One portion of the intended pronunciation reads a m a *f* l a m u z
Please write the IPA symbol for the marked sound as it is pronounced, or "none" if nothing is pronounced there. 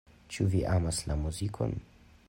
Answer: s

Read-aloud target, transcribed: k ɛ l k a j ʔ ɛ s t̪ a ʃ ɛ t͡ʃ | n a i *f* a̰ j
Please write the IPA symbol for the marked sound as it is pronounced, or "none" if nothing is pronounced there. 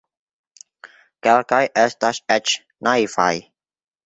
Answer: f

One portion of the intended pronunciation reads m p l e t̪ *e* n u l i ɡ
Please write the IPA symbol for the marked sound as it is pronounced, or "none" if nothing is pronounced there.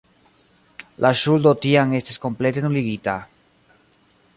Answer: e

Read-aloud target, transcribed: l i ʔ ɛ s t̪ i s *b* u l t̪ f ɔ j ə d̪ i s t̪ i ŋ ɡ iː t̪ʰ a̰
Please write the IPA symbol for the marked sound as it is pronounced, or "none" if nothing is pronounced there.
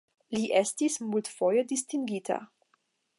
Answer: m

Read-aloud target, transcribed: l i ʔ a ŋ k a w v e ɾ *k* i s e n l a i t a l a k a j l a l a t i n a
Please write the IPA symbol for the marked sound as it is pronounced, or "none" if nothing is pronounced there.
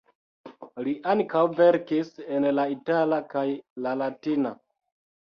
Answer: k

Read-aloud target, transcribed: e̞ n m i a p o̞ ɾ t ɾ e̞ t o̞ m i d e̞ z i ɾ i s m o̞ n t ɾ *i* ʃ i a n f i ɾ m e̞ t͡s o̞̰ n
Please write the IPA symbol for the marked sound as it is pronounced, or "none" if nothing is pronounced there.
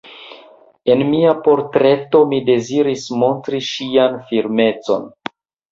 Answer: i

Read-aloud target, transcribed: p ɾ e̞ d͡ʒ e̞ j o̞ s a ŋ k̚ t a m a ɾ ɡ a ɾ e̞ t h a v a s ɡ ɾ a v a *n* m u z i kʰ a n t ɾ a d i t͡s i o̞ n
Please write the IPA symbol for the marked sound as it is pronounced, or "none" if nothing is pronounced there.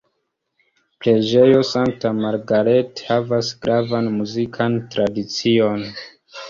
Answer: n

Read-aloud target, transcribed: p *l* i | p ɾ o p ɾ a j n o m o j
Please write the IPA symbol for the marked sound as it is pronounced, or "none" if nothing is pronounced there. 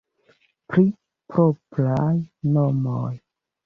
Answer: ɾ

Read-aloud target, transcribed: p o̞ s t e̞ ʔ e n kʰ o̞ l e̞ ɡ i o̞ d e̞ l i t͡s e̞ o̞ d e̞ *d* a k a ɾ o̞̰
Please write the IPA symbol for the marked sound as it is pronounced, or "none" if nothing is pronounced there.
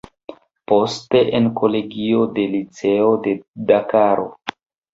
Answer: d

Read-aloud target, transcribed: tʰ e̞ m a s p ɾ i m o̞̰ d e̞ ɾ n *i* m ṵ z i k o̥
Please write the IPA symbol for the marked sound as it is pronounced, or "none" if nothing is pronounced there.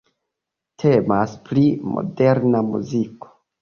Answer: a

